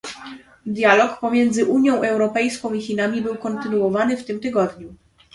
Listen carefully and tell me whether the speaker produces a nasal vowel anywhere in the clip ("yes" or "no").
yes